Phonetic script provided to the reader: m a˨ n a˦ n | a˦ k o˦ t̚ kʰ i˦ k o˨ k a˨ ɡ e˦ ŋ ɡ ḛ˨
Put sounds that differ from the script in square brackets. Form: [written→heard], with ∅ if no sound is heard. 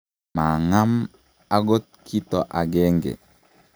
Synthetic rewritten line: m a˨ [n→ŋ] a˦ [n→m] | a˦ [k→ɡ] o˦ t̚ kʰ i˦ [k→t] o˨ [k→ʔ] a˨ ɡ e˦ ŋ ɡ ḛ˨